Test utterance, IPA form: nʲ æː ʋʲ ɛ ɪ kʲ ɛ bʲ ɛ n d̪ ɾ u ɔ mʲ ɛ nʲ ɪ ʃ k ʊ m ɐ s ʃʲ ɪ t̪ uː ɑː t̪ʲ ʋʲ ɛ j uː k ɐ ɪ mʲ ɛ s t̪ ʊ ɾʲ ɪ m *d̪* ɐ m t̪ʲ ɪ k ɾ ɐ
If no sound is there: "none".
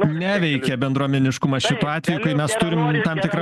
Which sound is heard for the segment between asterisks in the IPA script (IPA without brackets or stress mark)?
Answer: t̪